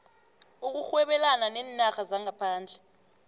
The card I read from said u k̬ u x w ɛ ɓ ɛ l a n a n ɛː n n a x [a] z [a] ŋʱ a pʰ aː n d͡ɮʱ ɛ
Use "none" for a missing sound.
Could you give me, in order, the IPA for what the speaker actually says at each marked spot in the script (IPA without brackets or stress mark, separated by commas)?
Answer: a, a